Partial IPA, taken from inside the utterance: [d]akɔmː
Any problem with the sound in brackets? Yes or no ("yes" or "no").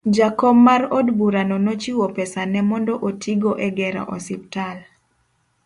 yes